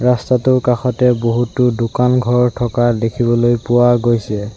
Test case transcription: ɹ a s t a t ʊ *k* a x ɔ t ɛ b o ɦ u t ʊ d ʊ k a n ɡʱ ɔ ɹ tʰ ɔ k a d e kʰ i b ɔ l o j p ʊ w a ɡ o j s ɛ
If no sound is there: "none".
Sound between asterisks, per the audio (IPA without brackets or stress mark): k